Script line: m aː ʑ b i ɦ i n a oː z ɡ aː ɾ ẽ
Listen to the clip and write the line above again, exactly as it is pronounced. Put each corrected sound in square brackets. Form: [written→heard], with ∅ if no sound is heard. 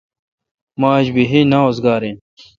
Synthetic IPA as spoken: m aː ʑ b i ɦ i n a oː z ɡ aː ɾ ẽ